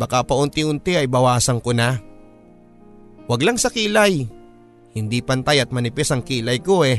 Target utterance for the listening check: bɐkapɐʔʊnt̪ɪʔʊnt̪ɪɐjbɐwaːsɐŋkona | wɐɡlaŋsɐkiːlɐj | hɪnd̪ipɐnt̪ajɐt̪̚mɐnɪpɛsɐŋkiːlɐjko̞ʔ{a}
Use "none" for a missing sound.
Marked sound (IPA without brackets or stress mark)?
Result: ɛ